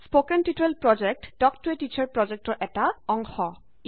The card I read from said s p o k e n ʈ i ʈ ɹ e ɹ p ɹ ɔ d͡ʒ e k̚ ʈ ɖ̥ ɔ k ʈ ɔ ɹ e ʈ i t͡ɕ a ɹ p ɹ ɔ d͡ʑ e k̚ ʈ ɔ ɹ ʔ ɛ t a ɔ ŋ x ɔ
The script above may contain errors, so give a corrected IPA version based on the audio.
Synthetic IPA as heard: s p o k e n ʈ i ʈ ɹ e l p ɹ ɔ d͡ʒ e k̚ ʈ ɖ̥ ɔ k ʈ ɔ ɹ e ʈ i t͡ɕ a ɹ p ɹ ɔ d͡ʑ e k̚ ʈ ɔ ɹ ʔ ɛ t a ɔ ŋ x ɔ